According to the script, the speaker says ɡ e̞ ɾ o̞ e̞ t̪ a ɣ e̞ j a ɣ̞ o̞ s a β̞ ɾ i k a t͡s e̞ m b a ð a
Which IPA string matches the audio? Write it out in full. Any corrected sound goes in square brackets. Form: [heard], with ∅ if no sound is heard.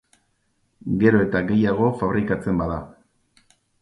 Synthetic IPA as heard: ɡ e̞ ɾ o̞ e̞ t̪ a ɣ e̞ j a ɣ̞ o̞ [f] a β̞ ɾ i k a t͡s e̞ m b a ð a